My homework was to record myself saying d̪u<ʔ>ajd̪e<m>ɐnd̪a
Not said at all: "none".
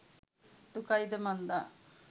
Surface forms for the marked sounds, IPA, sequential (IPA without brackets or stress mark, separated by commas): k, m